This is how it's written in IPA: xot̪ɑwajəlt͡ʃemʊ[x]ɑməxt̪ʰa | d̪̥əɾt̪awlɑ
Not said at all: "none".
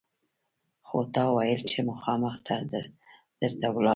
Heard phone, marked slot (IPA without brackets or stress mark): x